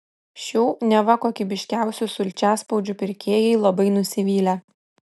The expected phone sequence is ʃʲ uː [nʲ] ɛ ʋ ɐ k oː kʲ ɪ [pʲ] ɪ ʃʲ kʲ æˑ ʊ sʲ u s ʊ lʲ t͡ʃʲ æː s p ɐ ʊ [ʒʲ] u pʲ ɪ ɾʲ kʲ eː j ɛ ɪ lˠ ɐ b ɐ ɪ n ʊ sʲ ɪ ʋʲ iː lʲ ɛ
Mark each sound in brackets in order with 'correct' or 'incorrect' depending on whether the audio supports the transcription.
correct, incorrect: bʲ, incorrect: d͡ʒʲ

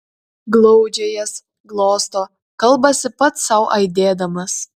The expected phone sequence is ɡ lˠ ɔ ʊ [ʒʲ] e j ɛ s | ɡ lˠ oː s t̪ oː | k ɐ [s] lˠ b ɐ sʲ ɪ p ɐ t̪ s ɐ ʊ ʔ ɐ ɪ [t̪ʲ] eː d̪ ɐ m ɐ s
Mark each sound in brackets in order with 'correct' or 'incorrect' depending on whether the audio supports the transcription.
incorrect: d͡ʒʲ, incorrect: none, incorrect: d̪ʲ

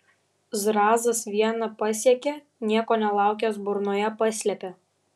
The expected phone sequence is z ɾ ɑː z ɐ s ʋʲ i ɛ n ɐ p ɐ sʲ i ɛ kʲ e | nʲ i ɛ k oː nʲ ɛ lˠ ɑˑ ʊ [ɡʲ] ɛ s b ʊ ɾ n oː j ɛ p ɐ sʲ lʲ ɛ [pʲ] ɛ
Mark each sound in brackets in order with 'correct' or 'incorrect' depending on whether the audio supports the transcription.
incorrect: kʲ, correct

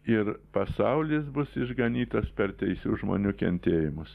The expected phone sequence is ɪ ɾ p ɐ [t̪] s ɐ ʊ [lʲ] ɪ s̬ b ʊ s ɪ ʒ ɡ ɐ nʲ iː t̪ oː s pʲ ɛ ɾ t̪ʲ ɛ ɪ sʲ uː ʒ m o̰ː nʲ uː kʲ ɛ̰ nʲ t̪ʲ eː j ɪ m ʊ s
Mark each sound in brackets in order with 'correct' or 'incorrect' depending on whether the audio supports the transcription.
incorrect: none, correct

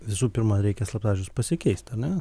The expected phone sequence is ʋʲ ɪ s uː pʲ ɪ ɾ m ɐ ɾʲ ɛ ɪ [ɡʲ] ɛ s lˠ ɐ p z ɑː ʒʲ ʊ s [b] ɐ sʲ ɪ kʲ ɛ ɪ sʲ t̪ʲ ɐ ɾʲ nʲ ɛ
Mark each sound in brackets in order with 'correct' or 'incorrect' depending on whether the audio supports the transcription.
incorrect: kʲ, incorrect: p

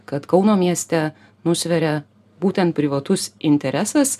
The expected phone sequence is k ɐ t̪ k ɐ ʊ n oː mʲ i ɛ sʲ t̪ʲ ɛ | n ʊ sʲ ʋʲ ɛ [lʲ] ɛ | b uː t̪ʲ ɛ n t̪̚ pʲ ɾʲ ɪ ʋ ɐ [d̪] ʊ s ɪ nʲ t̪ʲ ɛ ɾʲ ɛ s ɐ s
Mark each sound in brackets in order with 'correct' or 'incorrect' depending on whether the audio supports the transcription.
incorrect: ɾʲ, incorrect: t̪

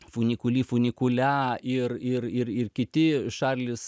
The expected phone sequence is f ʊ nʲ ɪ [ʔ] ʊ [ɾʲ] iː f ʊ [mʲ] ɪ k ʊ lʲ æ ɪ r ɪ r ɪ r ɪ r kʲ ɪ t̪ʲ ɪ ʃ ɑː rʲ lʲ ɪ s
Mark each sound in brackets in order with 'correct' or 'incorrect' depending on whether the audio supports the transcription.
incorrect: k, incorrect: lʲ, incorrect: nʲ

